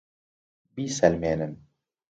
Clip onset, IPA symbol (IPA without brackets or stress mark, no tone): b